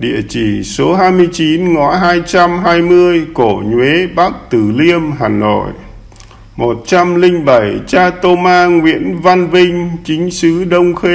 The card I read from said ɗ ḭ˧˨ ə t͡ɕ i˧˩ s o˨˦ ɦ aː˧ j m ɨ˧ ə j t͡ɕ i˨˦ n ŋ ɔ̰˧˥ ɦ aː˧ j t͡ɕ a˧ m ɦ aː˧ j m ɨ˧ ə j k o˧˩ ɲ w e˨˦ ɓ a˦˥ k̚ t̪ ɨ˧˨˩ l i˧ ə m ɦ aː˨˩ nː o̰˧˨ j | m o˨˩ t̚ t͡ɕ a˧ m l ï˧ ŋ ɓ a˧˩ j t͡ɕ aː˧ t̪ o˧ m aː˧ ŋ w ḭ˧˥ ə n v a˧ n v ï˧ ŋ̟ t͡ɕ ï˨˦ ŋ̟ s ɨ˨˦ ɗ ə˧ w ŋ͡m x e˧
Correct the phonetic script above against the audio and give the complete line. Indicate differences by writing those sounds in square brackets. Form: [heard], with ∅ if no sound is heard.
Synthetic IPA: ɗ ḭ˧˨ ə t͡ɕ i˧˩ s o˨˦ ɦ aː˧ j m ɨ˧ ə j t͡ɕ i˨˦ n ŋ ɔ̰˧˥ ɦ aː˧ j t͡ɕ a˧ m ɦ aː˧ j m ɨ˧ ə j k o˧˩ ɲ w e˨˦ ɓ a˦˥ k̚ t̪ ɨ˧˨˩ l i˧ ə m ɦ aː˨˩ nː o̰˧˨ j | m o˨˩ t̚ t͡ɕ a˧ m l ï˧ ŋ ɓ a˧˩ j t͡ɕ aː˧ t̪ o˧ m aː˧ ŋ w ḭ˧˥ ə n v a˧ n v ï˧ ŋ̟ t͡ɕ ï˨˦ ŋ̟ s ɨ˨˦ ɗ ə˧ w ŋ͡m x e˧